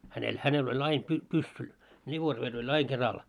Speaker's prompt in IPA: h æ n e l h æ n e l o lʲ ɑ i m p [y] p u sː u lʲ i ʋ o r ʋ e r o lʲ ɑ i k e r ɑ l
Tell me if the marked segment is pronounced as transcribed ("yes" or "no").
yes